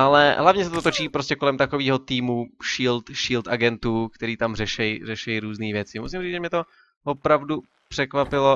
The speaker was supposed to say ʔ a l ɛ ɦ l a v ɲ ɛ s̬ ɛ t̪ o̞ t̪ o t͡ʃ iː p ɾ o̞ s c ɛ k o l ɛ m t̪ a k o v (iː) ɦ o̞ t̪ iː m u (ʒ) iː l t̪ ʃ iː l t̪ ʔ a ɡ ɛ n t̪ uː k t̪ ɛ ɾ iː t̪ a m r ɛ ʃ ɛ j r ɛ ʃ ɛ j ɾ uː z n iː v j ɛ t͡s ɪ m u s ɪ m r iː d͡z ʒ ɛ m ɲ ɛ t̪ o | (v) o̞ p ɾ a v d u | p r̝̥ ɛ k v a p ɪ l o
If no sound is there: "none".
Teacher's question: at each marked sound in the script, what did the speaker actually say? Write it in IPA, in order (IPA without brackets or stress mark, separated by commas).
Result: iː, ʃ, v